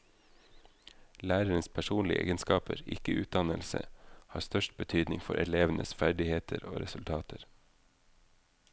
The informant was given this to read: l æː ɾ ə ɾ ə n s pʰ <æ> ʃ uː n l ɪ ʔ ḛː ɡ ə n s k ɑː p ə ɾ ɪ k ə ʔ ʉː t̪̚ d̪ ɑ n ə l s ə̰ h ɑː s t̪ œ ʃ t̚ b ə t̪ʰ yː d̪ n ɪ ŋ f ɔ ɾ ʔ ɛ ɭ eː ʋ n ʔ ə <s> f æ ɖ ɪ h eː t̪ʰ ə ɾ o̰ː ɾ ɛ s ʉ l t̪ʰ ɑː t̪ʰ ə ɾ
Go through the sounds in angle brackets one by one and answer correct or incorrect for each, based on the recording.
correct, correct

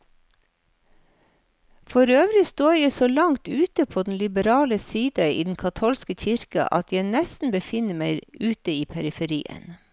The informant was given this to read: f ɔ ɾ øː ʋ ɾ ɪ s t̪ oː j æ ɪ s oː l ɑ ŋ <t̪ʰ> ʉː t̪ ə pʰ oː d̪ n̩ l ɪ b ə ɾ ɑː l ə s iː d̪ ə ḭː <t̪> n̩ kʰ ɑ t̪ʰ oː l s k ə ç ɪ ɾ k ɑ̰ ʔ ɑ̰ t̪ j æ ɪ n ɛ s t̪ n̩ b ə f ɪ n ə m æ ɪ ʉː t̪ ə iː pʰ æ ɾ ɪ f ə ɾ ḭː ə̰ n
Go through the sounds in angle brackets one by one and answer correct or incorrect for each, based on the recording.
incorrect: t̪, incorrect: d̪

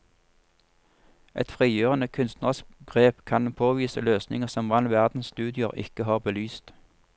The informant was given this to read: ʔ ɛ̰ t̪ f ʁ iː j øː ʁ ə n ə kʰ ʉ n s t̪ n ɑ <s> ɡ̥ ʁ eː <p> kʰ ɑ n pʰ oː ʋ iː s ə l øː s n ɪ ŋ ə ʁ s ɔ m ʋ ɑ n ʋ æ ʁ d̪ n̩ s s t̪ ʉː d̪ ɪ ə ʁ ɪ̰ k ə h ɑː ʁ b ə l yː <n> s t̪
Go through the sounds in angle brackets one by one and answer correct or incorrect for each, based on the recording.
correct, correct, incorrect: none

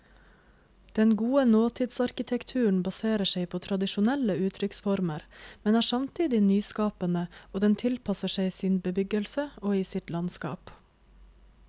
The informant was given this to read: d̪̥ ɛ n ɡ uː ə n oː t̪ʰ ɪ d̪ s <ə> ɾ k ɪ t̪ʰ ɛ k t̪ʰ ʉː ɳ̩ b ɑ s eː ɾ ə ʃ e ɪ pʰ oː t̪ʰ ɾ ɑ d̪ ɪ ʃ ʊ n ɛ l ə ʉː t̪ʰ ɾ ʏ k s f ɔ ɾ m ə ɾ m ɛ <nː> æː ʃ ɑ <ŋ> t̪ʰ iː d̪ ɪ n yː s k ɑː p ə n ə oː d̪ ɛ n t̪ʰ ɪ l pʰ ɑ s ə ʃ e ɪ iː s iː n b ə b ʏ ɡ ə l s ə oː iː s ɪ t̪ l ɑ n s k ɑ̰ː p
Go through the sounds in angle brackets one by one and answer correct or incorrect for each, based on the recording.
incorrect: ɑ, incorrect: n, incorrect: m

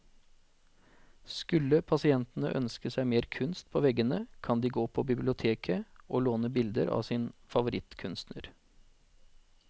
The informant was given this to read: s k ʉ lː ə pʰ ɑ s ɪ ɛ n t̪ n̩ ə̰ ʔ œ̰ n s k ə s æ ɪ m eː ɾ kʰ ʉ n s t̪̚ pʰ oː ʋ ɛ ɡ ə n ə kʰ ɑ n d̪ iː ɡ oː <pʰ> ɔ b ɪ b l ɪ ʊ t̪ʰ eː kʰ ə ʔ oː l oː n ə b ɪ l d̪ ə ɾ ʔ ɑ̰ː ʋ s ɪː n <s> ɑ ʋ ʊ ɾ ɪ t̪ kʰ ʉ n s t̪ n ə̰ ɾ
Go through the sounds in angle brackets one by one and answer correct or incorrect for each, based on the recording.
correct, incorrect: f

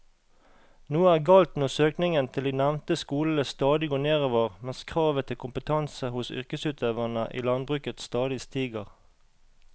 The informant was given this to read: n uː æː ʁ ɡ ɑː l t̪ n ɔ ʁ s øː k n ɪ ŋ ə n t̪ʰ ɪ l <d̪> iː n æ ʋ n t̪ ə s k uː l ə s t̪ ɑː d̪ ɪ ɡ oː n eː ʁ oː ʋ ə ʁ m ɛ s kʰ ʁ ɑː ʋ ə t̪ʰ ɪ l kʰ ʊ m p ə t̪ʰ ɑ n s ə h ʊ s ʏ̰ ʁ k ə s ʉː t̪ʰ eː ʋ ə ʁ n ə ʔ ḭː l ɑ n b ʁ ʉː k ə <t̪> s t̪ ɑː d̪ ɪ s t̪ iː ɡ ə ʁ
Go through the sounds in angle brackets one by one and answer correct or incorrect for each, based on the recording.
correct, correct

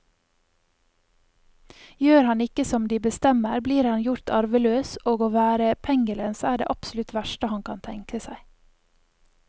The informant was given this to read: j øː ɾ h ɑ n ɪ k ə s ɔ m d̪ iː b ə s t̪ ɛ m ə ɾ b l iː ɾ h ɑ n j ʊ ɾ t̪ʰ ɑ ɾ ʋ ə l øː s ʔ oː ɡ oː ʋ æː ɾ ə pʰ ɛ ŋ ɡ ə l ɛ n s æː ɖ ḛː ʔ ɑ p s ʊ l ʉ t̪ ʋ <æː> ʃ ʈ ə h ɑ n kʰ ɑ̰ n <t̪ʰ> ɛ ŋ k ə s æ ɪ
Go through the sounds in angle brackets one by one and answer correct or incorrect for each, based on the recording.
incorrect: æ, correct

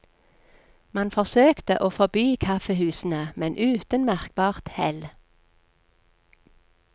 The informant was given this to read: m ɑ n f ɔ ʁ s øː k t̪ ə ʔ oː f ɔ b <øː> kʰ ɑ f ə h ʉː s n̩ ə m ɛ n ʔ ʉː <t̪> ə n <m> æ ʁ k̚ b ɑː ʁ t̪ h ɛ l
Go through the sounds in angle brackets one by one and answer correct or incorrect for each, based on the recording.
incorrect: yː, correct, correct

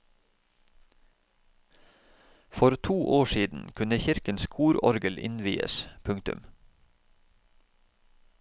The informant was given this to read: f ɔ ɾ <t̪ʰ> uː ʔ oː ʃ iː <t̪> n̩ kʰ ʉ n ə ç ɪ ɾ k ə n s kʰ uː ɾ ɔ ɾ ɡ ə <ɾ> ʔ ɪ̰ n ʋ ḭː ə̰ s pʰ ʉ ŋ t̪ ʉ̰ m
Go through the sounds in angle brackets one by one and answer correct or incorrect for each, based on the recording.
correct, incorrect: d̪, incorrect: l

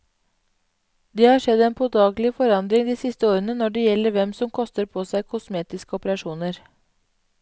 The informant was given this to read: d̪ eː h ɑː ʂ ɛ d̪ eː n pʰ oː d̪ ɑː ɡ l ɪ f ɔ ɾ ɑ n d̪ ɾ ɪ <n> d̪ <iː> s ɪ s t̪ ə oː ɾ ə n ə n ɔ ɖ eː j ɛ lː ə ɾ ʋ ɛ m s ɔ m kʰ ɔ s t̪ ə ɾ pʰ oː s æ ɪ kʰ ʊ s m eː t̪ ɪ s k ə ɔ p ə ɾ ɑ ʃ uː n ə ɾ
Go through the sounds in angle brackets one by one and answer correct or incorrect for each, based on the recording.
incorrect: ŋ, correct

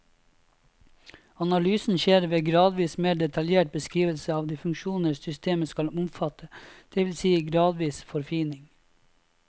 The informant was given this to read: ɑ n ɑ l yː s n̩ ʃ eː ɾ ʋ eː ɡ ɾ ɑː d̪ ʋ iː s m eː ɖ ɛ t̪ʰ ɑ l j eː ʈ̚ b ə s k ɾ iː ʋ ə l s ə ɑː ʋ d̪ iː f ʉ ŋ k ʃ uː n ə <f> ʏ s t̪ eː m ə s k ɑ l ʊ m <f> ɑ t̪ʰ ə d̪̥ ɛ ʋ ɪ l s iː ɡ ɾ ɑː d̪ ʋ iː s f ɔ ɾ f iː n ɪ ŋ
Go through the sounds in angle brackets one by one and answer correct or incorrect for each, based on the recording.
incorrect: s, correct

